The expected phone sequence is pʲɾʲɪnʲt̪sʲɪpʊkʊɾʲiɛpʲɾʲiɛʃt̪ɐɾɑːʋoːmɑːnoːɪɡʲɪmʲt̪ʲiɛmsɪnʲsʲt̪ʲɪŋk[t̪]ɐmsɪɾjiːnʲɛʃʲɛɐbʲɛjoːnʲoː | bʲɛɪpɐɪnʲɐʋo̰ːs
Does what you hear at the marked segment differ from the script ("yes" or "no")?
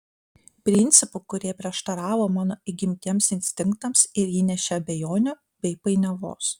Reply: no